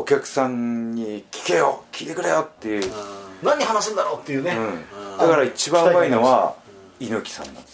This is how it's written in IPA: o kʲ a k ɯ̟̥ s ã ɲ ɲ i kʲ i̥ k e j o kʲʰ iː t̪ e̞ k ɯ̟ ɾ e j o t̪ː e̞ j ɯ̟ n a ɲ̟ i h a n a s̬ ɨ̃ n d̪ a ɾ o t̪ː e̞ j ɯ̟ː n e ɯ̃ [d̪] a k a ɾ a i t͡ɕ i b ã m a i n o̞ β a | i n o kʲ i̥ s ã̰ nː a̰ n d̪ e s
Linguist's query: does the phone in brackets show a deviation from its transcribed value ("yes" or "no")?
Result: no